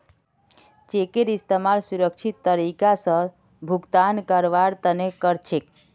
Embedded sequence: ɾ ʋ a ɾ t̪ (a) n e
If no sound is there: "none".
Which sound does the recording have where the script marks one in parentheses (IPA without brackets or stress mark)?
ə